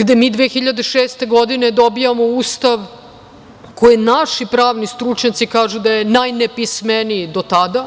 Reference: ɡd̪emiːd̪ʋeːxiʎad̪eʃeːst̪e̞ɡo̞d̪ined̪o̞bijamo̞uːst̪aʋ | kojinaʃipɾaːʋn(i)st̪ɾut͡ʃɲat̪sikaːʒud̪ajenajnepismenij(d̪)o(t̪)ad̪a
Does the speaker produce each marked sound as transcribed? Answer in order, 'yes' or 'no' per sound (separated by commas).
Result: yes, yes, yes